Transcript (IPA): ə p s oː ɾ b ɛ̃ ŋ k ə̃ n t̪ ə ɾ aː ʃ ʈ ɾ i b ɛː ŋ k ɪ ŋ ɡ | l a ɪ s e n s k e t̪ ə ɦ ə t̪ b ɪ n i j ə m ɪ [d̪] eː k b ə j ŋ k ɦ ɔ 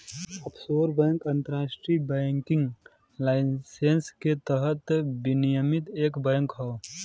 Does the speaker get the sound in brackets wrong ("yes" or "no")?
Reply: yes